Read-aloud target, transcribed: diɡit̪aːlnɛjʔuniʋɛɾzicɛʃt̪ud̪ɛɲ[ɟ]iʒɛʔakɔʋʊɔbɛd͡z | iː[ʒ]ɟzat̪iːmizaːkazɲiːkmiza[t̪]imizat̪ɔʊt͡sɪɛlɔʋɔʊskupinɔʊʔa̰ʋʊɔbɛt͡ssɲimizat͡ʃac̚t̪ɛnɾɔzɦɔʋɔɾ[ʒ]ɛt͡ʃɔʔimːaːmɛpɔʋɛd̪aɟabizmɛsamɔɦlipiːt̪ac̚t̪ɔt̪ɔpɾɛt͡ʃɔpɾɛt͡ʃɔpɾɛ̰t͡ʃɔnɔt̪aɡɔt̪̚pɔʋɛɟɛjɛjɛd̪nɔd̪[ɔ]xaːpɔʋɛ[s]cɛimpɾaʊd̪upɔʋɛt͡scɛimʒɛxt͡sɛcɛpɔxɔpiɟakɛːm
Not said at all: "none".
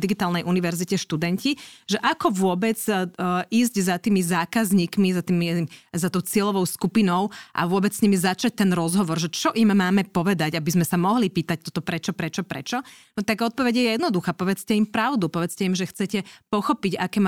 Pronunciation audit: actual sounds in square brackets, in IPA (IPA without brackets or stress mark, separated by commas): c, z, t̪, ʒ, u, t͡s